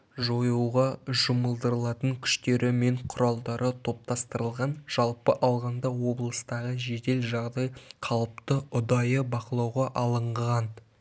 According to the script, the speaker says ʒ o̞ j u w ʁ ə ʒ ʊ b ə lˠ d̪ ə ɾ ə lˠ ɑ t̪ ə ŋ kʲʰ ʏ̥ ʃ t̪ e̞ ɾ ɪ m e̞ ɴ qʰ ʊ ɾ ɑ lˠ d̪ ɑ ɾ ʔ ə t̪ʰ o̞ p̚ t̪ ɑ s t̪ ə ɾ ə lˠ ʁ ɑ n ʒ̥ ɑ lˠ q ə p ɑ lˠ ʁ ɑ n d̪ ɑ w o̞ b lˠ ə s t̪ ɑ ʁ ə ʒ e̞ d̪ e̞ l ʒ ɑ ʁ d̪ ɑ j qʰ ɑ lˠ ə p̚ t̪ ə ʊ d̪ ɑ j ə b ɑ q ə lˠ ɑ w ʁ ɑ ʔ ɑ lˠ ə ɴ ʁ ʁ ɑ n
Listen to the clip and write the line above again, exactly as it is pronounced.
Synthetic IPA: ʒ o̞ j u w ʁ ɑ ʒ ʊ m ə lˠ d̪ ə ɾ ə lˠ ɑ t̪ ə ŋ kʲʰ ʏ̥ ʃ t̪ e̞ ɾ ɪ m e̞ ɴ qʰ ʊ ɾ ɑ lˠ d̪ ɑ ɾ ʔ ə t̪ʰ o̞ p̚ t̪ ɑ s t̪ ə ɾ ə lˠ ʁ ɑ n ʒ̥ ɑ lˠ p ə ʔ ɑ lˠ ʁ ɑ n d̪ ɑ w o̞ b lˠ ə s t̪ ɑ ʁ ə ʒ e̞ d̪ e̞ l ʒ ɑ ʁ d̪ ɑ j qʰ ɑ lˠ ə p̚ t̪ ə ʊ d̪ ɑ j ə b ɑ q ə lˠ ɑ w ʁ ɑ ʔ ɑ lˠ ə ɴ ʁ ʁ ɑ n